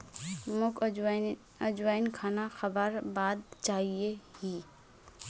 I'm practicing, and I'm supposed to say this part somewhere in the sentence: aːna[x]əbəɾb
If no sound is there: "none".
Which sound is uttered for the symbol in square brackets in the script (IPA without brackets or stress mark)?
x